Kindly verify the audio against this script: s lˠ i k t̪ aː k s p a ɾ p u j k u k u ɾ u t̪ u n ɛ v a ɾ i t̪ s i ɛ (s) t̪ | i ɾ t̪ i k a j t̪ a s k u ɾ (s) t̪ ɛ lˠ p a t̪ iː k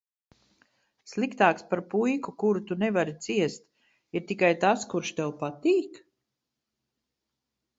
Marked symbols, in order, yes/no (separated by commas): yes, no